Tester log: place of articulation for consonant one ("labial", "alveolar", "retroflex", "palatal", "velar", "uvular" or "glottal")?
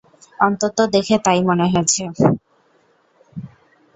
alveolar